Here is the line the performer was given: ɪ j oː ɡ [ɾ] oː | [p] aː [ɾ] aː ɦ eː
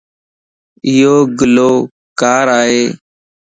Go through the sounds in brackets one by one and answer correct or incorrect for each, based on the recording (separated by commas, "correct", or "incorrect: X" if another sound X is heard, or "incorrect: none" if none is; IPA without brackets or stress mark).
incorrect: l, incorrect: k, correct